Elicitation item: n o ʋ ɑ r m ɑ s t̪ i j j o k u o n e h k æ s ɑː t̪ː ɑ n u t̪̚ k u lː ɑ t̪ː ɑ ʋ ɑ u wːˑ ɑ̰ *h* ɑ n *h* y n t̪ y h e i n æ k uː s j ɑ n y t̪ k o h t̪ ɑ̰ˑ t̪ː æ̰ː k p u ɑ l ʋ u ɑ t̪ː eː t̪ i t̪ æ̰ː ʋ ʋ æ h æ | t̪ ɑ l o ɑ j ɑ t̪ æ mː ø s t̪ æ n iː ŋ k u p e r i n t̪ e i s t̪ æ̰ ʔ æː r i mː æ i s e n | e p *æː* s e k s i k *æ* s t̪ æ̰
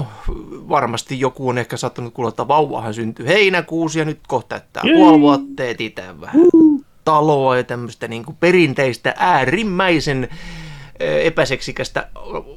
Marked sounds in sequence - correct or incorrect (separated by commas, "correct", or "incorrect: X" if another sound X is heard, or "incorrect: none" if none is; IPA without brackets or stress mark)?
correct, incorrect: s, incorrect: æ, correct